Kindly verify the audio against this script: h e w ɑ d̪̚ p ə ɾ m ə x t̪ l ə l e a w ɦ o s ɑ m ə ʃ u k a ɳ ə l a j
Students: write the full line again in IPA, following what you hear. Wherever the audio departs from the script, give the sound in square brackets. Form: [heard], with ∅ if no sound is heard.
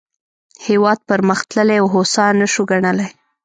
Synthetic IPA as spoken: h e w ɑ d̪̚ p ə ɾ m ə x t̪ l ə l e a w ɦ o s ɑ [n] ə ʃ u [ɡ] a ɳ ə l a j